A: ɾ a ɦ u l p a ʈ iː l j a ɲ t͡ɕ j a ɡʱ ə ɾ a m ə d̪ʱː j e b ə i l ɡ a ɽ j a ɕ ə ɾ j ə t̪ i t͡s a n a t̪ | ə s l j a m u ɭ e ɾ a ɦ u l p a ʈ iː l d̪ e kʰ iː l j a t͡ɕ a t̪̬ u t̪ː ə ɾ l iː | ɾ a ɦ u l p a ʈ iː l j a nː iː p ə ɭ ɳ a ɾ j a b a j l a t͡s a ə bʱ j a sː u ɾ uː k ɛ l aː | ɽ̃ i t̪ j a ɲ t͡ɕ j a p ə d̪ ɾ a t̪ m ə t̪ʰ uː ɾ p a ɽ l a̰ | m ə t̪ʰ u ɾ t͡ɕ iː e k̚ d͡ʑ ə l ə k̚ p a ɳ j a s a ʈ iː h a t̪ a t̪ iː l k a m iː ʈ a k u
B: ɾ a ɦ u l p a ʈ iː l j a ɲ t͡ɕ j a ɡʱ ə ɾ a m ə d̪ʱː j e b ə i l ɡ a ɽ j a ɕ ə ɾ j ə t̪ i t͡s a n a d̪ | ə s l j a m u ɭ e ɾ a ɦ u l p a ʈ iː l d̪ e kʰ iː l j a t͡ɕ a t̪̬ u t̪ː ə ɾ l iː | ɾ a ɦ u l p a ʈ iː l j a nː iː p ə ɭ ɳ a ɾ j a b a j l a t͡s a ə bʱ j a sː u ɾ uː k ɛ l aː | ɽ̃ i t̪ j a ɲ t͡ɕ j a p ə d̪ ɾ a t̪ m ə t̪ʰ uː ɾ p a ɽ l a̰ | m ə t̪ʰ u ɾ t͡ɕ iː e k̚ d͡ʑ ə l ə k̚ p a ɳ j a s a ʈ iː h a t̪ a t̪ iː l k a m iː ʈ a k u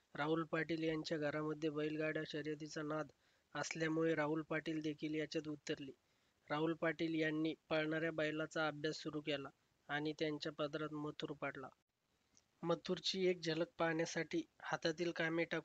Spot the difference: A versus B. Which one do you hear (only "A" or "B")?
B